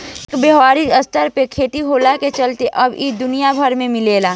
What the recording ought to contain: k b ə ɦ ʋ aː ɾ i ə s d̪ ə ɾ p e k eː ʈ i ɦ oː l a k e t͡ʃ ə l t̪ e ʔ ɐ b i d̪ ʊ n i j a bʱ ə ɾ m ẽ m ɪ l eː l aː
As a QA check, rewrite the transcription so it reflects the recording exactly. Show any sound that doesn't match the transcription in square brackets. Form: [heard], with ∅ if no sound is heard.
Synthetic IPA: k b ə ɦ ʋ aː ɾ i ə s [t̪] ə ɾ p e [kʰ] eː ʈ i ɦ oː l a k e t͡ʃ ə l t̪ e ʔ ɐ b i d̪ ʊ n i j a bʱ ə ɾ m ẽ m ɪ l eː l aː